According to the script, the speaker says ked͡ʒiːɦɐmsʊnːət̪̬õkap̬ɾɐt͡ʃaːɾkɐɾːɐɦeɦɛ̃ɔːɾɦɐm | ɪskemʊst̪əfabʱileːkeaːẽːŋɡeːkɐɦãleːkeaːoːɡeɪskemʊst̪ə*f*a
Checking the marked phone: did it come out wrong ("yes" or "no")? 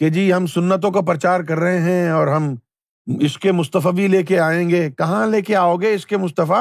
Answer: no